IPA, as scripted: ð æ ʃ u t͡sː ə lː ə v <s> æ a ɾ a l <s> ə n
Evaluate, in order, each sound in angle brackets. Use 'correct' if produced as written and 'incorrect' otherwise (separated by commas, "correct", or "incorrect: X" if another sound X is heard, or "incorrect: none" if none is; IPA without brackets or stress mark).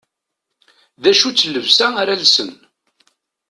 correct, correct